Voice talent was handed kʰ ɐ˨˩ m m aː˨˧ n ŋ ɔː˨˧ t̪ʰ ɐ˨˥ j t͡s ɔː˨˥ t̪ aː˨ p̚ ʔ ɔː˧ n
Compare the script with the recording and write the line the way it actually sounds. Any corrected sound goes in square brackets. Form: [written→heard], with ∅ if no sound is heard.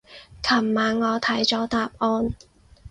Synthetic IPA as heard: kʰ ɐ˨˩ m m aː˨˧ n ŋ ɔː˨˧ t̪ʰ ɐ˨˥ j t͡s ɔː˨˥ t̪ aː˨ p̚ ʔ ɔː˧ n